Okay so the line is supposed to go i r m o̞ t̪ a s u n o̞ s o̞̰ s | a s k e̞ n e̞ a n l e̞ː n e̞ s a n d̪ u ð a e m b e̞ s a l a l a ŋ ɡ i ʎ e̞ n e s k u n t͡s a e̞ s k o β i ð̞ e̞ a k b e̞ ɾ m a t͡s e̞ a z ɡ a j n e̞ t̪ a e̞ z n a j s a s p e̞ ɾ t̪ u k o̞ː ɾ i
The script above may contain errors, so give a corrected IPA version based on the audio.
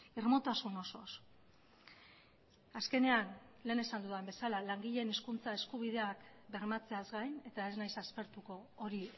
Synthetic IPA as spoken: i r m o̞ t̪ a s u n o̞ s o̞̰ s | a s k e̞ n e̞ a n l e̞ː n e̞ s a n d̪ u ð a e m b e̞ s a l a l a ŋ ɡ i ʎ e̞ n e s k u n t͡s a e̞ s k u β i ð̞ e̞ a k b e̞ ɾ m a t͡s e̞ a z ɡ a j n e̞ t̪ a e̞ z n a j s a s p e̞ ɾ t̪ u k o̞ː ɾ i